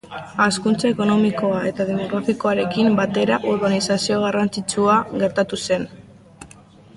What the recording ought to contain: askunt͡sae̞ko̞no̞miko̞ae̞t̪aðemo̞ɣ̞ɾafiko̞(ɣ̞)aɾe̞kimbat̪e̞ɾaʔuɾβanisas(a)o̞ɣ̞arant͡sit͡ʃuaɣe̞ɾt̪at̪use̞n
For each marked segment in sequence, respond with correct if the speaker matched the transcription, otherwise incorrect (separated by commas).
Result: incorrect, incorrect